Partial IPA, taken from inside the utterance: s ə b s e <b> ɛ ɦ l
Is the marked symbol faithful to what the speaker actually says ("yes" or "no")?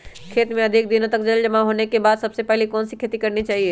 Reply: no